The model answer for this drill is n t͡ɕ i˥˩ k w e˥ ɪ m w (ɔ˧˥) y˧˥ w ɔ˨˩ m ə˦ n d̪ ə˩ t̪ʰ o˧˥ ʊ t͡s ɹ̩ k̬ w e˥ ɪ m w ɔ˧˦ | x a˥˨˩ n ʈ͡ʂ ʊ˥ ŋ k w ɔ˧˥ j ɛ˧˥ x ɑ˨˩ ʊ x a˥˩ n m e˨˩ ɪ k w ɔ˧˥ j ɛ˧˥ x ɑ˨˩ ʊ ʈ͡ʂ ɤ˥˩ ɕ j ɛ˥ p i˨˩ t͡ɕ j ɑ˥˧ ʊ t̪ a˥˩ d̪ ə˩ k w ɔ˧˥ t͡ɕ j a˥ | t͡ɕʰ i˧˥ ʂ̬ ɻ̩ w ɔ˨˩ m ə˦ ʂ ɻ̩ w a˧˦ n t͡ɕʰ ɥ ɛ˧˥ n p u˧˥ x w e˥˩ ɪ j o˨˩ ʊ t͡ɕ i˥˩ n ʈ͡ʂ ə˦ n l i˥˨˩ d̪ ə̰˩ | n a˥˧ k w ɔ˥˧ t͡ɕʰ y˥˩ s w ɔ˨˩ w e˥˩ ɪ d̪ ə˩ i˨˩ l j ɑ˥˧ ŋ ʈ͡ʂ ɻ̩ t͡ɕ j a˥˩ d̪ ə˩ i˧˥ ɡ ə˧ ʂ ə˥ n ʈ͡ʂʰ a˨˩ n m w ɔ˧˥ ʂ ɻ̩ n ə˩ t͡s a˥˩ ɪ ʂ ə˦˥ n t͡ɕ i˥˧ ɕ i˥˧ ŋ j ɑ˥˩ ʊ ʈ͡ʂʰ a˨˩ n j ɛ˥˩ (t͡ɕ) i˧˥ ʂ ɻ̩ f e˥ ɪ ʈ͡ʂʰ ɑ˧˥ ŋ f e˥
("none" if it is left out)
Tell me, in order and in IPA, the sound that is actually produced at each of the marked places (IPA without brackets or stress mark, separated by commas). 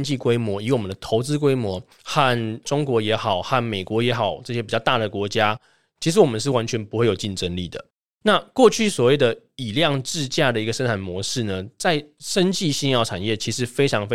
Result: ɔ˧˥, t͡ɕʰ